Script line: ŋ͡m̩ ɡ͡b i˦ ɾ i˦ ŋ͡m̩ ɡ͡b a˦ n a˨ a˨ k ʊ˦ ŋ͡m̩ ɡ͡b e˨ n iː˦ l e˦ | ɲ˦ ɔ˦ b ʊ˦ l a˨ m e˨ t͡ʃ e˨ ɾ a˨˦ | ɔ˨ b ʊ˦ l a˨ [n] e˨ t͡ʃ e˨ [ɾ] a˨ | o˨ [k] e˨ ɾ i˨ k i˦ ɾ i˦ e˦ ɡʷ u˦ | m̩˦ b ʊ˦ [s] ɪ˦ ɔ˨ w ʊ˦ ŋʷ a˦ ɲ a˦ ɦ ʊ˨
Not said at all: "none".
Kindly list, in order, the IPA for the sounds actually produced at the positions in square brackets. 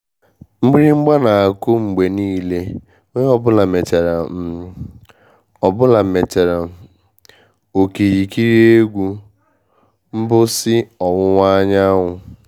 m, ɾ, k, s

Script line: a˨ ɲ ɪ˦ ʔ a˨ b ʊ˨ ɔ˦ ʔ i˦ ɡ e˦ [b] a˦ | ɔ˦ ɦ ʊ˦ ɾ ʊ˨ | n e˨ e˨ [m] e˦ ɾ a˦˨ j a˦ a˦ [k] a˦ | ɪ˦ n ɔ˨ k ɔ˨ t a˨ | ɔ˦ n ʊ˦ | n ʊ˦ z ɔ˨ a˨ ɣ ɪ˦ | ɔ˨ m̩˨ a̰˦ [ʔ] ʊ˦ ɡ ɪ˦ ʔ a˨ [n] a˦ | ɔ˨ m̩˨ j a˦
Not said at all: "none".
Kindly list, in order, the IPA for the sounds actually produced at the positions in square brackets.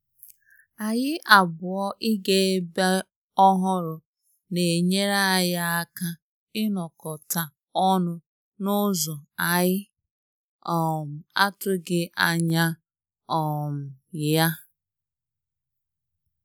b, ɲ, k, t, ɲ

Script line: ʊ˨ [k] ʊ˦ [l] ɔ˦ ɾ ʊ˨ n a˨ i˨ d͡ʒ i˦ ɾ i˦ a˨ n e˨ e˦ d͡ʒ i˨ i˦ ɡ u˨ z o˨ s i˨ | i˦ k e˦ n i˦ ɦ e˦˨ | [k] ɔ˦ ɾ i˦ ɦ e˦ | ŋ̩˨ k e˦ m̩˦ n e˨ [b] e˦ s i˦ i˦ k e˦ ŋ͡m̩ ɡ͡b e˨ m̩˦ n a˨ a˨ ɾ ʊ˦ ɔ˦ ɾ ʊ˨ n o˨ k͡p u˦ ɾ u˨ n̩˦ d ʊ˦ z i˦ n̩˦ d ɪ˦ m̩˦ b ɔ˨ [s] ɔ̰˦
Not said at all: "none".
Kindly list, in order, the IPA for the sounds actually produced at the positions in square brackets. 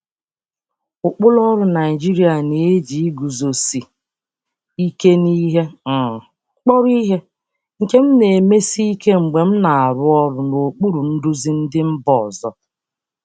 k͡p, l, k͡p, m, z

